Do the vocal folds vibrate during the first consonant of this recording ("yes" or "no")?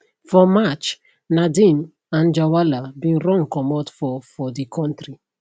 no